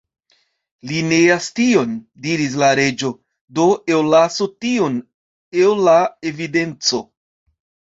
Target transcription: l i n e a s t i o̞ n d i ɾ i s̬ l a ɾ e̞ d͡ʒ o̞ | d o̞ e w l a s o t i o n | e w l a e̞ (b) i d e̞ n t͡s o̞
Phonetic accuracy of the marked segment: incorrect: v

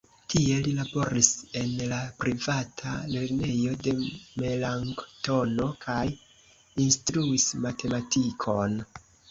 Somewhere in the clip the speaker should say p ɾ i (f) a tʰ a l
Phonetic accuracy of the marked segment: incorrect: v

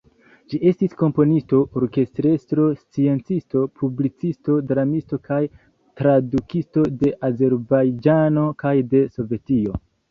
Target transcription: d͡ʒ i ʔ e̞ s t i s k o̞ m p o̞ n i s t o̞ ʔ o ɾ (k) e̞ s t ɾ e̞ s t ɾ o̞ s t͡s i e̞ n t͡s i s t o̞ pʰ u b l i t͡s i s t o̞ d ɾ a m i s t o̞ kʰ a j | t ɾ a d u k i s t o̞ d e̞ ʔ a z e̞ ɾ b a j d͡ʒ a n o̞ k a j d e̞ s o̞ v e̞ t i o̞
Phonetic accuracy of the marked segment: correct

